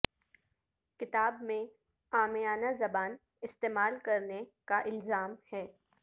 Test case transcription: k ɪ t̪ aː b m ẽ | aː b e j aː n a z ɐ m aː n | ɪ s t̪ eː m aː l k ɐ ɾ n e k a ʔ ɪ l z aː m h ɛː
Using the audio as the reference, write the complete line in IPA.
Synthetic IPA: k ɪ t̪ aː b m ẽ | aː m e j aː n a z ɐ b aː n | ɪ s t̪ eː m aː l k ɐ ɾ n e k a ʔ ɪ l z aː m h ɛː

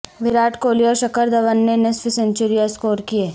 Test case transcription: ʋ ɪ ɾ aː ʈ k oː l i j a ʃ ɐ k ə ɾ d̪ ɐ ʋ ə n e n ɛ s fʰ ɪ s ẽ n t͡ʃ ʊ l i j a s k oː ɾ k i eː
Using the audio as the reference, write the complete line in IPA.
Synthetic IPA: ʋ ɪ ɾ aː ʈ k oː l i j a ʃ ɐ k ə ɾ d̪ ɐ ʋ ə nː e n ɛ s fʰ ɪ s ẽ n t͡ʃ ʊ ɾ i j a s k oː ɾ k i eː

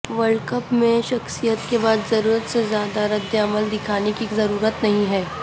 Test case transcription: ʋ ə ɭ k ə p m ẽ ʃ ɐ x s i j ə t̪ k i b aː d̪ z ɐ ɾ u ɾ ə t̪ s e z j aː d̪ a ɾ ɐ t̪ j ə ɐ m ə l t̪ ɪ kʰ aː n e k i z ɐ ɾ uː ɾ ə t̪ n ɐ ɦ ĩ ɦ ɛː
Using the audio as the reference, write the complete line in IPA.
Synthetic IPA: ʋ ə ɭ k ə p m ẽ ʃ ɐ x s i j ə t̪ k e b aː d̪ z ɐ ɾ uː ɾ ə t̪ s e z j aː d̪ a ɾ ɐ d̪ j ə ɐ m ə l d̪ ɪ kʰ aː n e k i z ɐ ɾ uː ɾ ə t̪ n ɐ ɦ ĩ ɦ ɛː

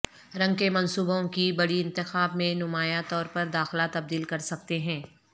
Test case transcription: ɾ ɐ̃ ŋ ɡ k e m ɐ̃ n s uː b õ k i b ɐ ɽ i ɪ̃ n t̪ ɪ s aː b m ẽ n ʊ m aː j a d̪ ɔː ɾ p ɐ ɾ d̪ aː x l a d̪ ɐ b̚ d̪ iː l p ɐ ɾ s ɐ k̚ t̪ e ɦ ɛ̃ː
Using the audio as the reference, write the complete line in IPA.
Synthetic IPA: ɾ ɐ̃ ŋ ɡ k e m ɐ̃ n s uː b õ k i b ɐ ɽ i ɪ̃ n t̪ ɪ x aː b m ẽ n ʊ m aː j a t̪ ɔː ɾ p ɐ ɾ d̪ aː x l a t̪ ɐ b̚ d̪ iː l k ɐ ɾ s ɐ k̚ t̪ e ɦ ɛ̃ː

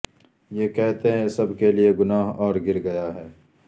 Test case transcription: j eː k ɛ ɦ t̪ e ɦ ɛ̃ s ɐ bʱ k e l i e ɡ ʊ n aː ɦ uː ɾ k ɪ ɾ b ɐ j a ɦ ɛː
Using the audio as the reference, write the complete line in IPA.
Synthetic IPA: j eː k ɛ ɦ t̪ e ɦ ɛ̃ s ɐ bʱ k e l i e ɡ ʊ n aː ɦ ɔː ɾ ɡ ɪ ɾ ɡ ɐ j a ɦ ɛː

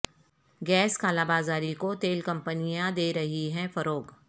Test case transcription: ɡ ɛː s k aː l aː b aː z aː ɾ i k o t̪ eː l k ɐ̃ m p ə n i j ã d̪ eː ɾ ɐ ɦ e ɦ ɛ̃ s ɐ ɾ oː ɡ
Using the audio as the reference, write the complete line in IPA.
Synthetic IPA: ɡ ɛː s k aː l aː b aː z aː ɾ i k o t̪ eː l k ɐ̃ m p ə n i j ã d̪ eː ɾ ɐ ɦ i ɦ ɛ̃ f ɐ ɾ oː ɡ

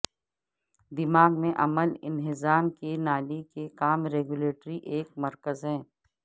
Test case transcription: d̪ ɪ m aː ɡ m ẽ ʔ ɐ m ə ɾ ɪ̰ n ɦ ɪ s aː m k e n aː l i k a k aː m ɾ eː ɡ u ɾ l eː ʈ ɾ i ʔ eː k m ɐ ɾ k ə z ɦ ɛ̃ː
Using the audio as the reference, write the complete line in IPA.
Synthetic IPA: d̪ ɪ m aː ɡ m ẽ ʔ ɐ m ə l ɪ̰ n ɦ ɪ z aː m k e n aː l i k e k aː m ɾ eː ɡ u l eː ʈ ɾ i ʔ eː k m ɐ ɾ k ə z ɦ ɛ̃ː

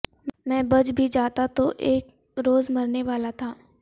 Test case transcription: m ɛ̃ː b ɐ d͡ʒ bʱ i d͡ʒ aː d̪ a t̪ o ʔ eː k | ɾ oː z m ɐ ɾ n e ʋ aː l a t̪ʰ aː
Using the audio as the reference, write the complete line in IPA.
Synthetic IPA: m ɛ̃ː b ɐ d͡ʒ bʱ i d͡ʒ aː t̪ a t̪ o ʔ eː k | ɾ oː z m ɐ ɾ n e ʋ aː l a t̪ʰ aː

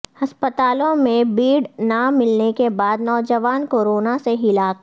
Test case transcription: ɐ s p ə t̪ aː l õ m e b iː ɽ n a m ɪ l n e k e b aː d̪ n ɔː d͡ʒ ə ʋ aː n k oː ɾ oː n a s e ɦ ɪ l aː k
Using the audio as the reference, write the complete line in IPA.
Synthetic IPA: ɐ s p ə t̪ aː l õ m ẽ b iː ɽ n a m ɪ l n e k e b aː d̪ n ɔː d͡ʒ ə ʋ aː n k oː ɾ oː n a s e ɦ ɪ l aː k

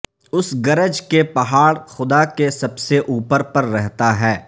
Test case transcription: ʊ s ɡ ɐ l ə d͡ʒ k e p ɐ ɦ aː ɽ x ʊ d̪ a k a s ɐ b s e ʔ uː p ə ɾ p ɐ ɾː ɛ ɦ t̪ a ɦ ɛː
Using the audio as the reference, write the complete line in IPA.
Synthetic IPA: ʊ s ɡ ɐ ɾ ə d͡ʒ k e p ɐ ɦ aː ɽ x ʊ d̪ a k e s ɐ b s e ʔ uː p ə ɾ p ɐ ɾː ɛ ɦ t̪ a ɦ ɛː

